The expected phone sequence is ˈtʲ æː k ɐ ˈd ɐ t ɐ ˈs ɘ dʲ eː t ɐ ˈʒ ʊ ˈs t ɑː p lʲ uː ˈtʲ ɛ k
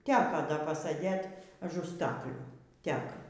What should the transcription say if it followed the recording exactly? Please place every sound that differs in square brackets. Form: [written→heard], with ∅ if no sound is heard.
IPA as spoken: ˈtʲ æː k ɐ ˈd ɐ [t→p] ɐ ˈs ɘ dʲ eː t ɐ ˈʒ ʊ ˈs t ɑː [p→k] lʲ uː ˈtʲ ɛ k